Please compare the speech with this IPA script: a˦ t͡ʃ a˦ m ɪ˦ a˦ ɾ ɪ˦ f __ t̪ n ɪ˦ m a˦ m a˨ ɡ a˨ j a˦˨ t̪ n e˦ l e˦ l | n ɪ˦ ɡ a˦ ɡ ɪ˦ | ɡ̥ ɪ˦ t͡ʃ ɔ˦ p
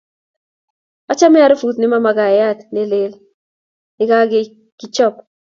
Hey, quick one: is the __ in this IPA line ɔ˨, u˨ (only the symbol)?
u˨